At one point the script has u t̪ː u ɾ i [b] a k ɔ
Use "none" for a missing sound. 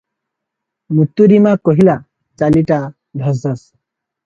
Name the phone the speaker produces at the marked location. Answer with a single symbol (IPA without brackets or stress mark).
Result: m